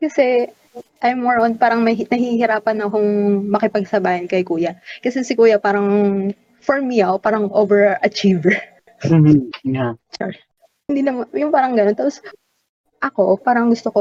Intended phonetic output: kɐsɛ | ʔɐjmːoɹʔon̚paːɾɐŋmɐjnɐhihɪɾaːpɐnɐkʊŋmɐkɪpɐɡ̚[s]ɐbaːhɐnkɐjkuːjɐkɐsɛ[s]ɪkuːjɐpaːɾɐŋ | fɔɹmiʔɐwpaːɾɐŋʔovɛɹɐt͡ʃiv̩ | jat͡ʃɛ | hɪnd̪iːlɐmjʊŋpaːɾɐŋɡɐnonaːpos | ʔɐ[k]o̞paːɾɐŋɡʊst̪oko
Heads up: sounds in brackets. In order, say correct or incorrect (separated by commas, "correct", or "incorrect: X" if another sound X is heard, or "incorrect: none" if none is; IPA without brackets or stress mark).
correct, correct, correct